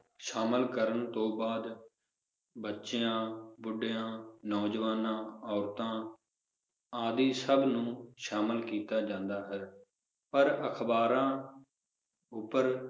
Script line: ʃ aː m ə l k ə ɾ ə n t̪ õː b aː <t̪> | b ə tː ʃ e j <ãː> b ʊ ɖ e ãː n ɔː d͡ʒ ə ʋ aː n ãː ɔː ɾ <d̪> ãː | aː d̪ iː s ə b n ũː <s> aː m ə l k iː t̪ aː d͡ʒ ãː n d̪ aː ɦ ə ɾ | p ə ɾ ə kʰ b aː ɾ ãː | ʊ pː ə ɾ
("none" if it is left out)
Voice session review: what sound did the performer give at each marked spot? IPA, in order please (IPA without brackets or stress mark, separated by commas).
d̪, ãː, t̪, ʃ